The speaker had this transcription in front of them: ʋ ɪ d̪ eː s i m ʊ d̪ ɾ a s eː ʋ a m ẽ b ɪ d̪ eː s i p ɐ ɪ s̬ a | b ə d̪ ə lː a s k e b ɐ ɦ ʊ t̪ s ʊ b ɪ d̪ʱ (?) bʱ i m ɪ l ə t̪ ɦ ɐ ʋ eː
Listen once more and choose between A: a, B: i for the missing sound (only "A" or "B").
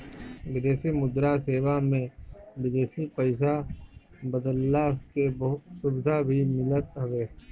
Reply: A